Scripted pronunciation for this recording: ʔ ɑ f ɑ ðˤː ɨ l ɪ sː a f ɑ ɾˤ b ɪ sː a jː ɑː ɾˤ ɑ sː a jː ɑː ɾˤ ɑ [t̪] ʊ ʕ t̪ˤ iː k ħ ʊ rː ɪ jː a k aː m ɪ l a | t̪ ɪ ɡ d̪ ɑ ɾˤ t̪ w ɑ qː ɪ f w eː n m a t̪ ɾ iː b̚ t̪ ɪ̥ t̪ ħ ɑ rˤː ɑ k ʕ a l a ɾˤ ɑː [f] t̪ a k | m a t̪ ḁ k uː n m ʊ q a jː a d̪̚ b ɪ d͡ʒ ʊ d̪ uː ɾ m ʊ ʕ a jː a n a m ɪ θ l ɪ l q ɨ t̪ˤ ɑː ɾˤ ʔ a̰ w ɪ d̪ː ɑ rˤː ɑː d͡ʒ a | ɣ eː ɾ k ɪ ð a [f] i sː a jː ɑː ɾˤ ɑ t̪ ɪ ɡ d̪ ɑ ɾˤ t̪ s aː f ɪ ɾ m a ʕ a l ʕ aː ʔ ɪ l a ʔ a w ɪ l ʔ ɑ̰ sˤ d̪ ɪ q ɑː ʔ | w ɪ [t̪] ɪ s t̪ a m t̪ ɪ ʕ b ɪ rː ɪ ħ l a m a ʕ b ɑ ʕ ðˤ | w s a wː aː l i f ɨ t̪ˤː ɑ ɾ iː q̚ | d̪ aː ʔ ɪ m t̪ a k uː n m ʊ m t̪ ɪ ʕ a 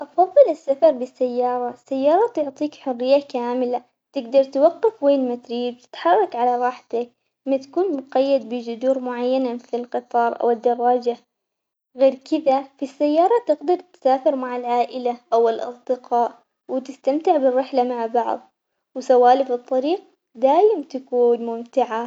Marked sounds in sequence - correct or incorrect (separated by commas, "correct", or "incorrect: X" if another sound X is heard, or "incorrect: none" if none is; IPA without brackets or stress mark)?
correct, incorrect: ħ, correct, correct